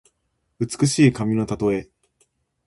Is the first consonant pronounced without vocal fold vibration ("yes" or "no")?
yes